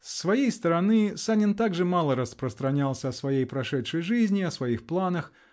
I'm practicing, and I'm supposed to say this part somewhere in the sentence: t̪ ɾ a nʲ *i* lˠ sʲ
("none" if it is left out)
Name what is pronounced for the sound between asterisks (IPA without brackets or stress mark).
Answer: a